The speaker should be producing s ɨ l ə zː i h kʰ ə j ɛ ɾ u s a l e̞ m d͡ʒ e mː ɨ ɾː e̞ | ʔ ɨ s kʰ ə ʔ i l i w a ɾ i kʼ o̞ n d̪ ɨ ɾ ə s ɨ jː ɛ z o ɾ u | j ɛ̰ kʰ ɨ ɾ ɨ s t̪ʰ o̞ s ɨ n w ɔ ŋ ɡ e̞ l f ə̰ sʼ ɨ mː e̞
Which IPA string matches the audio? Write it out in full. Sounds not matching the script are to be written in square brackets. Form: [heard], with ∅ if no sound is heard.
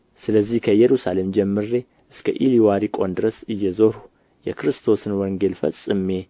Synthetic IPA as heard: s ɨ l ə zː i h kʰ ə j ɛ ɾ u s a l e̞ m d͡ʒ [ɛ] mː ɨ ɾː e̞ | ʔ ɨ s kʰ ə ʔ i l i w a ɾ i kʼ o̞ n d̪ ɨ ɾ ə s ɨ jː ɛ z o ɾ u | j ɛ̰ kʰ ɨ ɾ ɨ s t̪ʰ o̞ s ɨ n w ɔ ŋ ɡ e̞ l f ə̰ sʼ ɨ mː e̞